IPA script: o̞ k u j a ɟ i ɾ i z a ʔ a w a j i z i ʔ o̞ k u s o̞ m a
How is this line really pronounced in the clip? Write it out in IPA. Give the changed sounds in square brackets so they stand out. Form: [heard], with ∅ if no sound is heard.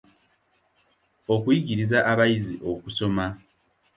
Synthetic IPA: o̞ k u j [i] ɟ i ɾ i z a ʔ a [β] a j i z i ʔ o̞ k u s o̞ m a